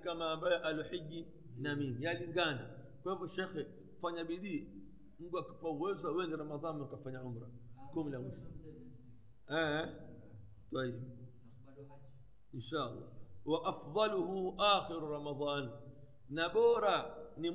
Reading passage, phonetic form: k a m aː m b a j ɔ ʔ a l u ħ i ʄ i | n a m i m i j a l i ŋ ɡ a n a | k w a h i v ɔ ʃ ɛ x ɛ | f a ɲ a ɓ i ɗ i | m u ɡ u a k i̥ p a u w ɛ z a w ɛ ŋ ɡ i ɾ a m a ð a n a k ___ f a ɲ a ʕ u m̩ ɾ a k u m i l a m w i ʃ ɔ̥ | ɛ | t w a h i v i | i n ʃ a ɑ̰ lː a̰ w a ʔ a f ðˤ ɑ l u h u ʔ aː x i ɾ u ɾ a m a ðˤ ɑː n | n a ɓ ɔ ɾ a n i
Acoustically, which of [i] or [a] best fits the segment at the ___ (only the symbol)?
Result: a